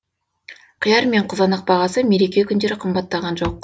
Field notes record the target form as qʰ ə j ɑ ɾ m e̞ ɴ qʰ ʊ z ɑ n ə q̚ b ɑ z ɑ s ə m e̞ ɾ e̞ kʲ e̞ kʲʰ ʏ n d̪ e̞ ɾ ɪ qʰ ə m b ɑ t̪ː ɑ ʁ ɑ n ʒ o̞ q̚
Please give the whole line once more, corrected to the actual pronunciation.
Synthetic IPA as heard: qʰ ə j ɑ ɾ m e̞ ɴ qʰ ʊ z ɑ n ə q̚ b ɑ ʁ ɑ s ə m e̞ ɾ e̞ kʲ e̞ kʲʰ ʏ n d̪ e̞ ɾ ɪ qʰ ə m b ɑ t̪ː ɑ ʁ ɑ n ʒ o̞ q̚